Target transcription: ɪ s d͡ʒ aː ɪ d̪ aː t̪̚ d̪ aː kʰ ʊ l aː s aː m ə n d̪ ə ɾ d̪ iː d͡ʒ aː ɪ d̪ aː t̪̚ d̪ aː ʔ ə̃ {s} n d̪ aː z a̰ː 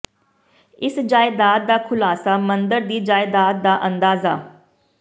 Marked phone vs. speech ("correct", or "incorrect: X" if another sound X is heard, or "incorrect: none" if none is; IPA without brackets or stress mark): incorrect: none